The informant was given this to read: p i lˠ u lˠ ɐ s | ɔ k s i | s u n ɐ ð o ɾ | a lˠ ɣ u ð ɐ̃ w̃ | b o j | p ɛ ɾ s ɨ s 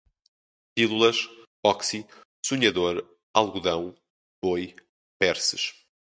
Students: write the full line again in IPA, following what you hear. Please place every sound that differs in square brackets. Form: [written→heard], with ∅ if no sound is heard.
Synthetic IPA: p i lˠ u lˠ ɐ [s→ʃ] | ɔ k s i | s u [n→ɲ] ɐ ð o ɾ | a lˠ ɣ u ð ɐ̃ w̃ | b o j | p ɛ ɾ s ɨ [s→ʃ]